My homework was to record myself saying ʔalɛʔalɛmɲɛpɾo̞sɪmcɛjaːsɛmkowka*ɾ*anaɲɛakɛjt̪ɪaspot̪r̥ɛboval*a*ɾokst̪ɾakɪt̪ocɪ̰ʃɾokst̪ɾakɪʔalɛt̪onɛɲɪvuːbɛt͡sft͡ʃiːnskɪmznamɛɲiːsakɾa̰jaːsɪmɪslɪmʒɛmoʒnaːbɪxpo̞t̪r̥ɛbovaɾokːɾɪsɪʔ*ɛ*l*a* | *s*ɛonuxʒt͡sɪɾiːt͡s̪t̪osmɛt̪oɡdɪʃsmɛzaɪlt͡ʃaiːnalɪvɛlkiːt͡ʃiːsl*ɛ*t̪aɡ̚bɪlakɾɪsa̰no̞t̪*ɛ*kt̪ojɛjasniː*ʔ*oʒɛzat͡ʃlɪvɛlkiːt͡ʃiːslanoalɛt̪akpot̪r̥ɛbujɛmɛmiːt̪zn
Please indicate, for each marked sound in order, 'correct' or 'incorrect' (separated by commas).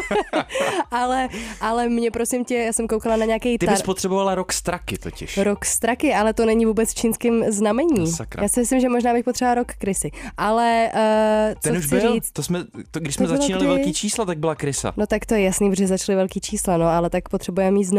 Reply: incorrect, correct, incorrect, incorrect, incorrect, incorrect, incorrect, incorrect